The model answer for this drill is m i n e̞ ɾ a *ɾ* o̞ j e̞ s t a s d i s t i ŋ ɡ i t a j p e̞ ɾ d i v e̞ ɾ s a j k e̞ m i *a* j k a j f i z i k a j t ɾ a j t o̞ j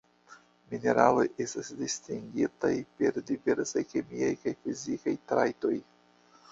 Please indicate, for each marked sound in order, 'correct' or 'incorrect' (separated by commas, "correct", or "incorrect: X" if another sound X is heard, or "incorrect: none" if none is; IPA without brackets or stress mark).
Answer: incorrect: l, correct